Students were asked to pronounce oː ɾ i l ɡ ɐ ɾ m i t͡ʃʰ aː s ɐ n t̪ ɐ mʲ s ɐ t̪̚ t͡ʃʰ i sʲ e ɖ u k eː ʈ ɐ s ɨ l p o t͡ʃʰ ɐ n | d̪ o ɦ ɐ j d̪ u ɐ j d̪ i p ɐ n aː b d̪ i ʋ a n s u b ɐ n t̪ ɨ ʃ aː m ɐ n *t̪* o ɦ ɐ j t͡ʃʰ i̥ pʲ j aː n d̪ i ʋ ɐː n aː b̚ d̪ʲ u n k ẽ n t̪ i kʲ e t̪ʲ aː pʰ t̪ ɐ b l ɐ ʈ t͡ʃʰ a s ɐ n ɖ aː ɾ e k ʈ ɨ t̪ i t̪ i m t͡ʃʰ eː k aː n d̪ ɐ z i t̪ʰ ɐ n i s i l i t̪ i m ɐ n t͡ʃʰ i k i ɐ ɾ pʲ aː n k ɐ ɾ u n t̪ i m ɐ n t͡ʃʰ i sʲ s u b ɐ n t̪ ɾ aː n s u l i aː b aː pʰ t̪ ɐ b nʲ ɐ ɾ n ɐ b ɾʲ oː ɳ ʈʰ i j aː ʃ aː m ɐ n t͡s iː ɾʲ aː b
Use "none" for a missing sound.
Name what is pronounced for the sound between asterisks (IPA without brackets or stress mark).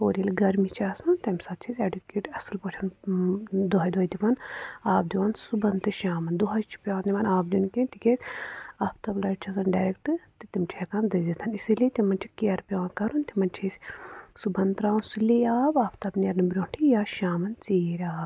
d̪